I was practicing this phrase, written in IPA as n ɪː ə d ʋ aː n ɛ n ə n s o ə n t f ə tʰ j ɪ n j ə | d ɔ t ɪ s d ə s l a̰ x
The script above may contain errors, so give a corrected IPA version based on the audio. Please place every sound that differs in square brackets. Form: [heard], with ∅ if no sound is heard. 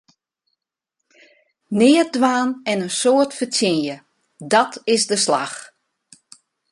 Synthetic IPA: n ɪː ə d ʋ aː n ɛ n ə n s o ə [∅] t f ə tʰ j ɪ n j ə | d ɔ t ɪ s d ə s l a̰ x